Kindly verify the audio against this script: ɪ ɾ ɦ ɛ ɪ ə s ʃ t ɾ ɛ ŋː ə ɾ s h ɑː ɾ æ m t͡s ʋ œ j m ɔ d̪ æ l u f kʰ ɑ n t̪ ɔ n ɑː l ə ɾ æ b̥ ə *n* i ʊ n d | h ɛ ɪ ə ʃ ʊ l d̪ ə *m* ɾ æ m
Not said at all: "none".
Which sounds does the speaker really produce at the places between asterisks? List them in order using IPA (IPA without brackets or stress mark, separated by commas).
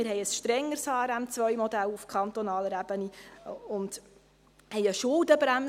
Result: n, b